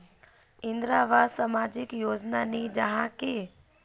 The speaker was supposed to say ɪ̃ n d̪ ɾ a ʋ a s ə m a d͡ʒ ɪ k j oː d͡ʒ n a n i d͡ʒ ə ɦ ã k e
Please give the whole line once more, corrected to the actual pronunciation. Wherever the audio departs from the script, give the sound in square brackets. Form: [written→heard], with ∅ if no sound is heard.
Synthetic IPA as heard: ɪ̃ n d̪ ɾ a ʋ a s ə m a d͡ʒ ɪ k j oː d͡ʒ n a n i d͡ʒ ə ɦ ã k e